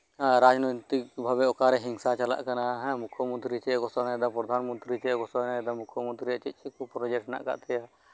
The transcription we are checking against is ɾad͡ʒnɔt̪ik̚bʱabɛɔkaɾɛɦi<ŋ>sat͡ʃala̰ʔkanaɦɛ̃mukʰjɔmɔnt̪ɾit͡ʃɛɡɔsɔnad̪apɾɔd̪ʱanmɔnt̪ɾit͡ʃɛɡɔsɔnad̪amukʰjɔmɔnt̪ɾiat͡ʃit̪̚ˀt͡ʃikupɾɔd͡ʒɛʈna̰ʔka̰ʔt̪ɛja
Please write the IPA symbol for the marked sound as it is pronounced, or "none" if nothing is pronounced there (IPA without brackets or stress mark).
ŋ